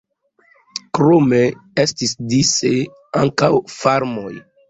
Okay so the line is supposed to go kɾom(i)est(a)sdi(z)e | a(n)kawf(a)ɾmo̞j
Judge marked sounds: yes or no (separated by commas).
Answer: no, no, no, no, yes